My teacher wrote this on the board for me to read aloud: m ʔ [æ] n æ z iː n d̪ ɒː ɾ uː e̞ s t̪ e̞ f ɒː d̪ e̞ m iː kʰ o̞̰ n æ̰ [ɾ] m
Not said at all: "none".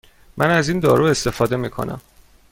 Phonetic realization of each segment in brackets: æ, none

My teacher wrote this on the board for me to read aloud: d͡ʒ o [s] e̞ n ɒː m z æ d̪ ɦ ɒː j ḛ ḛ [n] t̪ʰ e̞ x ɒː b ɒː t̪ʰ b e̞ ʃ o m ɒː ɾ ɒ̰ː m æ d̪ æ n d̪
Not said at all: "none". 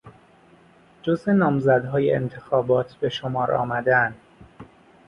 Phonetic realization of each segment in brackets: z, n

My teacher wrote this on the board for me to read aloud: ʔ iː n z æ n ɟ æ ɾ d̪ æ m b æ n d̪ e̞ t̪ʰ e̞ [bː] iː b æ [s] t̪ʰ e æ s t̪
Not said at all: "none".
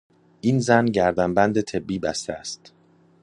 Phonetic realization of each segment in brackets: bː, s

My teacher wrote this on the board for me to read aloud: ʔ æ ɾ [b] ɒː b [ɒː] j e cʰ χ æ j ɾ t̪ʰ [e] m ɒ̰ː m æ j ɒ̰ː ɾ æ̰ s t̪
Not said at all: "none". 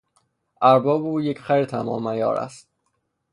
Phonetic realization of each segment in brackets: b, uː, æ

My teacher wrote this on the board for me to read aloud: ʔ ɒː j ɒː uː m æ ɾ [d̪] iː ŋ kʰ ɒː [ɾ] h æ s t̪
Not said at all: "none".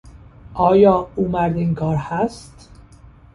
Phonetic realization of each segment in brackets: d̪, ɾ

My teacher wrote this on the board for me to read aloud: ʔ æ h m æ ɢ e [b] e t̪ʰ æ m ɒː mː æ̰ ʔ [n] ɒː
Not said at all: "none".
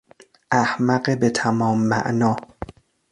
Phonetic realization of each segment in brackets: b, n

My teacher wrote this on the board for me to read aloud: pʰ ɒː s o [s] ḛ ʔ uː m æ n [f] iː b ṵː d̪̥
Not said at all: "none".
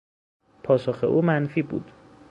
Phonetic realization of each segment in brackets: x, f

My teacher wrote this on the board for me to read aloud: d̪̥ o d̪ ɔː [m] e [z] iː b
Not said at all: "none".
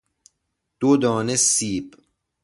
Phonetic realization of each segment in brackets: n, s

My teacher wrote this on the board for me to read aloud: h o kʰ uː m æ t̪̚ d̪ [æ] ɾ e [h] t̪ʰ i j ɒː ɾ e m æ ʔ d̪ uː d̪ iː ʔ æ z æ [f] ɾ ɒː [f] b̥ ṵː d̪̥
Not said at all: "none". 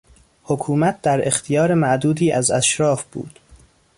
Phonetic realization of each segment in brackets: æ, x, ʃ, f

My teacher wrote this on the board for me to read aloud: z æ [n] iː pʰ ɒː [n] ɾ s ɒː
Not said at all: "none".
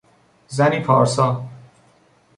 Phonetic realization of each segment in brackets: n, none

